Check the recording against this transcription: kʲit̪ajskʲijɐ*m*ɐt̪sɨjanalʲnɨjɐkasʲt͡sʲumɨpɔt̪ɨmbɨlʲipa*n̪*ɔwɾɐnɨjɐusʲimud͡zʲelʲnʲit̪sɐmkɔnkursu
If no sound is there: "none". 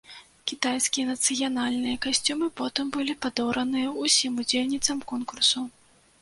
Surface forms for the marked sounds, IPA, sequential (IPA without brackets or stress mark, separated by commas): n, d̪